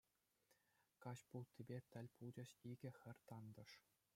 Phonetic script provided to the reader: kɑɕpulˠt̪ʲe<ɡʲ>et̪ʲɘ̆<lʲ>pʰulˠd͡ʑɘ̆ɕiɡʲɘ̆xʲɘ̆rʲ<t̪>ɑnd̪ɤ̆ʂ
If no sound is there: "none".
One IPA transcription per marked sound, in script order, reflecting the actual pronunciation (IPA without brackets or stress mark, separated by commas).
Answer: bʲ, lʲ, t̪